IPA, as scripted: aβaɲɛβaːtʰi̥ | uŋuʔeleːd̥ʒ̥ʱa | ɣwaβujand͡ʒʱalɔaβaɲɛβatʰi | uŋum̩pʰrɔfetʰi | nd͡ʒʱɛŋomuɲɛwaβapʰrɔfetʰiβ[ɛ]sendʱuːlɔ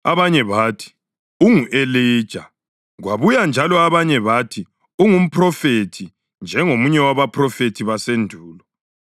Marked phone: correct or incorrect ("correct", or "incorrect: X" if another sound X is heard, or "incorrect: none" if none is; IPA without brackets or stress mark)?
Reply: incorrect: a